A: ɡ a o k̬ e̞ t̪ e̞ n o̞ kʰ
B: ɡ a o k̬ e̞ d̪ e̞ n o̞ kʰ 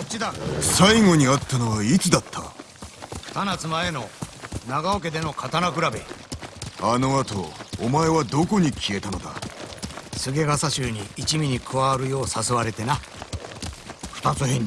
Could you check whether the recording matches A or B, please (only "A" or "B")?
B